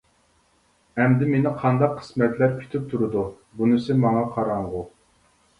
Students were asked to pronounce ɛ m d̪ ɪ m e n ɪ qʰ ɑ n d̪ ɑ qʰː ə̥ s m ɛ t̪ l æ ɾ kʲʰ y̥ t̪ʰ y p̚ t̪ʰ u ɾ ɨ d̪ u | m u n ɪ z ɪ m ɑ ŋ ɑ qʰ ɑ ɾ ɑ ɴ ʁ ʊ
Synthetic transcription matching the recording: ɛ m d̪ ɪ m e n ɪ qʰ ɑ n d̪ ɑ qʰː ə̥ s m ɛ t̪ l æ ɾ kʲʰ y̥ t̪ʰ y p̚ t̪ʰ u ɾ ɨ d̪ u | b u n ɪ s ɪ m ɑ ŋ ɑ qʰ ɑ ɾ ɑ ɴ ʁ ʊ